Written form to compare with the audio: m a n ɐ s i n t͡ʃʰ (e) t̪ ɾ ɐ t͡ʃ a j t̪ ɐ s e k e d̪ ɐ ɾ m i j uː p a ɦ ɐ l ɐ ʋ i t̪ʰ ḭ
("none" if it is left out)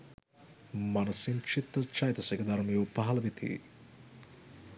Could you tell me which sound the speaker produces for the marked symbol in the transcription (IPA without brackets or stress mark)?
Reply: i